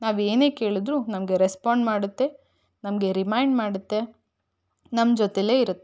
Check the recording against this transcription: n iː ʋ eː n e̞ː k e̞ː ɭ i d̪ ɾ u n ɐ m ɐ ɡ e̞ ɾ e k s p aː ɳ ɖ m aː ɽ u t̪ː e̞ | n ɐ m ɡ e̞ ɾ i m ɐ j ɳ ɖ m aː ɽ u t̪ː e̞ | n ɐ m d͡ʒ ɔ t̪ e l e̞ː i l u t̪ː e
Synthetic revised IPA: n aː ʋ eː n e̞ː k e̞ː ɭ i d̪ ɾ u n ɐ m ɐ ɡ e̞ ɾ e s p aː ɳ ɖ m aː ɽ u t̪ː e̞ | n ɐ m ɡ e̞ ɾ i m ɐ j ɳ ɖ m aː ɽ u t̪ː e̞ | n ɐ m d͡ʒ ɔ t̪ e l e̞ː i ɾ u t̪ː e